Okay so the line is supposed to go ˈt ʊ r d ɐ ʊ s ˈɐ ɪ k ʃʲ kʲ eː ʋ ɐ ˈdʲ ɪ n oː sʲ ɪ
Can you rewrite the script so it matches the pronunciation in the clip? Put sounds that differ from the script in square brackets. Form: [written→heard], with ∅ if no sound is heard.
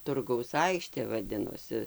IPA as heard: ˈt ʊ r [d→ɡ] ɐ ʊ s ˈɐ ɪ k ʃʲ [kʲ→tʲ] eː ʋ ɐ ˈdʲ ɪ n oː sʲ ɪ